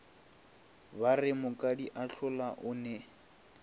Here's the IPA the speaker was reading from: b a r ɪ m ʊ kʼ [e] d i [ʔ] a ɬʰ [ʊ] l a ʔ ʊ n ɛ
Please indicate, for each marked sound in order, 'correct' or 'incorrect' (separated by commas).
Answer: incorrect, correct, correct